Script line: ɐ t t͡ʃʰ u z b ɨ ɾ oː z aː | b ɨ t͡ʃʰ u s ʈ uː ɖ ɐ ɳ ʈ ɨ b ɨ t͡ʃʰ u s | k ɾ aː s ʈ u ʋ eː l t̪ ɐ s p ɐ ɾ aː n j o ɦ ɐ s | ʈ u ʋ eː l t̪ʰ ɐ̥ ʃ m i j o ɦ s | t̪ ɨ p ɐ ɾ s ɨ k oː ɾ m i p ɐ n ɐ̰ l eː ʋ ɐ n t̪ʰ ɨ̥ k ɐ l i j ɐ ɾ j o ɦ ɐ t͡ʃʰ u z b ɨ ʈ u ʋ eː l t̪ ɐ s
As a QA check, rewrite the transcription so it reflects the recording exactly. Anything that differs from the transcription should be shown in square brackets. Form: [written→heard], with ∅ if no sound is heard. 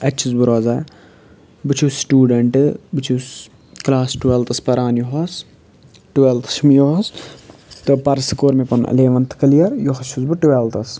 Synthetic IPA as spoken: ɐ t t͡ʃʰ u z b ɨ ɾ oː z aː | b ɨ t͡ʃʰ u s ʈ uː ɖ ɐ ɳ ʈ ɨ b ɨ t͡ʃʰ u s | k [ɾ→l] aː s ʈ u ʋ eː l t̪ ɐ s p ɐ ɾ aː n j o ɦ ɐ s | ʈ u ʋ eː l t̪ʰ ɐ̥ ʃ m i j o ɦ s | t̪ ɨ p ɐ ɾ s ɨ k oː ɾ m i p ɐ n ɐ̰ l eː ʋ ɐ n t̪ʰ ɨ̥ k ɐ l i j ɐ ɾ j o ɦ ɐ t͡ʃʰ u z b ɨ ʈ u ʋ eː l t̪ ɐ s